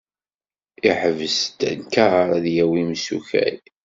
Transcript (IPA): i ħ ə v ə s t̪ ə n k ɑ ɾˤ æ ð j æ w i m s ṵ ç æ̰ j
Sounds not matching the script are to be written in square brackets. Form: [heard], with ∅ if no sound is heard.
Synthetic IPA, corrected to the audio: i ħ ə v ə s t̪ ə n k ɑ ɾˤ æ ð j æ w i m s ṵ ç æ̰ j